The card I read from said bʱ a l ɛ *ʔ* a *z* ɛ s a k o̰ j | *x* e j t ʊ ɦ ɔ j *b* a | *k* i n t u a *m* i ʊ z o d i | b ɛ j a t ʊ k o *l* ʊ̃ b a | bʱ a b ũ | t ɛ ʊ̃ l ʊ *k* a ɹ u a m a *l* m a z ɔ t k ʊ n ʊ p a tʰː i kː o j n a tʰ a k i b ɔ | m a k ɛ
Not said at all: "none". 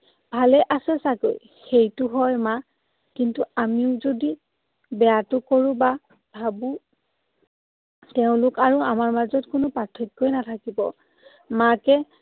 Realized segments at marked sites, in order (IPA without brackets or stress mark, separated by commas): ʔ, s, x, m, k, m, ɹ, k, ɹ